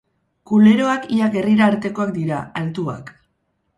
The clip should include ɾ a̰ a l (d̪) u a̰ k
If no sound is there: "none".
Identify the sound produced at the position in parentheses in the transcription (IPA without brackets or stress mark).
t̪